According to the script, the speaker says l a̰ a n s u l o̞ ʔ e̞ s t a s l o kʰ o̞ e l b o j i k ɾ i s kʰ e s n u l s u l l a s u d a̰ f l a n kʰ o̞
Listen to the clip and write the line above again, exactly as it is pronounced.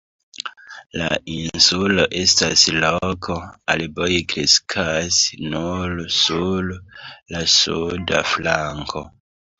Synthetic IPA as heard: l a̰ i n s u l o̞ ʔ e̞ s t a s l o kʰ o̞ a l b o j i k ɾ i s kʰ a s n u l s u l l a s u d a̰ f l a ŋ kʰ o̞